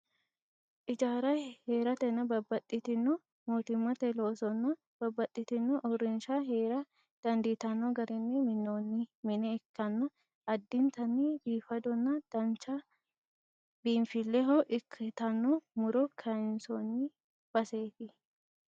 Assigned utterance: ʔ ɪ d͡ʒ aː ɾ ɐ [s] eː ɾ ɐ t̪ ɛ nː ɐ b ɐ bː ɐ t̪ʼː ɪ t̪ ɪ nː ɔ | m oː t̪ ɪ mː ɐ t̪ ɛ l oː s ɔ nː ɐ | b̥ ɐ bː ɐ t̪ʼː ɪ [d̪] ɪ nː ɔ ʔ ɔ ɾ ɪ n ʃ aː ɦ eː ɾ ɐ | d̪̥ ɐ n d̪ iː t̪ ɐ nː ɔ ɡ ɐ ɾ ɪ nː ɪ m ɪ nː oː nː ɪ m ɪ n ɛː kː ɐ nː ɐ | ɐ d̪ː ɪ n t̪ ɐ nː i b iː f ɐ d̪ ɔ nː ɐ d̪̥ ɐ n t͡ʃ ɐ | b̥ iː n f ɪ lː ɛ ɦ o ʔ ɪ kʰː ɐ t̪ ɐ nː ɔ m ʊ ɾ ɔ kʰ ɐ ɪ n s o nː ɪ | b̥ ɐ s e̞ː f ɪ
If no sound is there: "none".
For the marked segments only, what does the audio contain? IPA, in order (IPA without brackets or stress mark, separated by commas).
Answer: h, t̪